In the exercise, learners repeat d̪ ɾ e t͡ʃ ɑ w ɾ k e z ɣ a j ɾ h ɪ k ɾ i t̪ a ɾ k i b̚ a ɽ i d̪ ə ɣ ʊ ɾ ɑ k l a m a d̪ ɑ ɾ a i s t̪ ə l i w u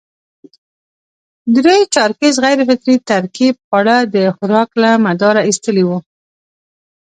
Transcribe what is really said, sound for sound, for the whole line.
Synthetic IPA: d̪ ɾ e t͡ʃ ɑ ɾ k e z ɣ a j ɾ f ɪ k ɾ i t̪ a ɾ k i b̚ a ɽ a d̪ ə x ʊ ɾ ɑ k l a m a d̪ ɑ ɾ a i s t̪ ə l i w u